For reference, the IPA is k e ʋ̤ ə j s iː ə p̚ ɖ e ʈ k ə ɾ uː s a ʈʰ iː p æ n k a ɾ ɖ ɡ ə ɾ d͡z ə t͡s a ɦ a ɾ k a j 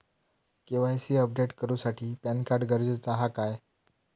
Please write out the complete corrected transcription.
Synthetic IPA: k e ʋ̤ a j s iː ə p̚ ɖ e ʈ k ə ɾ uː s a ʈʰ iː p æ n k a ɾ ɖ ɡ ə ɾ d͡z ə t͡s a ɦ a k a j